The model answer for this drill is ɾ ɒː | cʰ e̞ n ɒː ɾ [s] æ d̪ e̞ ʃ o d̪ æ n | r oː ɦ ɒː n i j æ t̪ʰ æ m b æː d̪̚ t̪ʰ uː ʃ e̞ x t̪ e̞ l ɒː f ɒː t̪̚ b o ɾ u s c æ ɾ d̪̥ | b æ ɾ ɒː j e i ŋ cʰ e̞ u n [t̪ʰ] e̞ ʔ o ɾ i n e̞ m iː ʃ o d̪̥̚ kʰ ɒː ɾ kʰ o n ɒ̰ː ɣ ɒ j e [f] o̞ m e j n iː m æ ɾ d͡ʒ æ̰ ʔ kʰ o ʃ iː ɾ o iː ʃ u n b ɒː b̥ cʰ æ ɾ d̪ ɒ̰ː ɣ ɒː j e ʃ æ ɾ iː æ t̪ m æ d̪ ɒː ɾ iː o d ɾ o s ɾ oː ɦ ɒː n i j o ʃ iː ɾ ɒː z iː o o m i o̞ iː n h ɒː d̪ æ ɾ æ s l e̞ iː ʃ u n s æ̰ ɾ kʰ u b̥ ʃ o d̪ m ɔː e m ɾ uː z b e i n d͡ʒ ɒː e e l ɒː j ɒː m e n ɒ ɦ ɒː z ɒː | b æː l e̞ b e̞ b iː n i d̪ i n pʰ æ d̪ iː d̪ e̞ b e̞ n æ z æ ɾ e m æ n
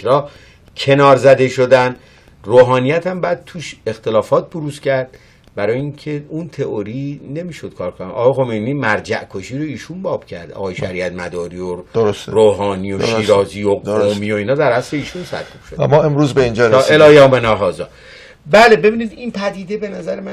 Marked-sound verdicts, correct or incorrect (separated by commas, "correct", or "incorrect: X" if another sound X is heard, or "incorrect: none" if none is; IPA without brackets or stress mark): incorrect: z, correct, incorrect: x